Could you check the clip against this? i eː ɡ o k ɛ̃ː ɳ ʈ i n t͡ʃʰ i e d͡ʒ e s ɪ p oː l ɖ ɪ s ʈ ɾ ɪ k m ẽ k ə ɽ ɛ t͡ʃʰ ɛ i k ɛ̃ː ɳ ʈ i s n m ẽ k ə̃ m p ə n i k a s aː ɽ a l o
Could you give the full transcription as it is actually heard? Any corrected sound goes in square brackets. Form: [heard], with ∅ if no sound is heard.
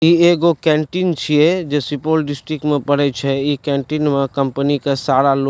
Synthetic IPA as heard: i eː ɡ o k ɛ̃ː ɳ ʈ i n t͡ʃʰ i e d͡ʒ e s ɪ p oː l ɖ ɪ s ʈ ɾ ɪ k m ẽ [p] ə ɽ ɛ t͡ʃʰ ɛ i k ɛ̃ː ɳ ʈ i [∅] n m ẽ k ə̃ m p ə n i k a s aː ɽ a l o